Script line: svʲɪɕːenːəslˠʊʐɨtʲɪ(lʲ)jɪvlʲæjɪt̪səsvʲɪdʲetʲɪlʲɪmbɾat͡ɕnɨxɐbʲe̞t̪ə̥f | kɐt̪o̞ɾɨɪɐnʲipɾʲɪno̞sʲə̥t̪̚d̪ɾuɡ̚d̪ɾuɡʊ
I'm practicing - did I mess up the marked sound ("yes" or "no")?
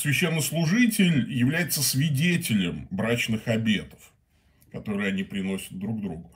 no